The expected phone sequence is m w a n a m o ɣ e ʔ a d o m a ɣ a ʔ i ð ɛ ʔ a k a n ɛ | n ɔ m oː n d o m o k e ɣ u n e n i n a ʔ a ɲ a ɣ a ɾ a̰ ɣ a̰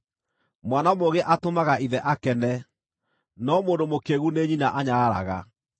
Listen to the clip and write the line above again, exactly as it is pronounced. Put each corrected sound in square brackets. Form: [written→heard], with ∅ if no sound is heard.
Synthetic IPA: m w a n a m o ɣ e ʔ a [d→t] o m a ɣ a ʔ i ð ɛ ʔ a k [a→ɛ] n ɛ | n ɔ m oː n d o m o k e ɣ u n e [n→ɲ] i n a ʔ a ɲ a ɣ a ɾ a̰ ɣ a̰